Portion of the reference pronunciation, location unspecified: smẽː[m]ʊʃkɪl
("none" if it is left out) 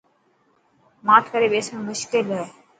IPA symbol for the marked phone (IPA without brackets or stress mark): m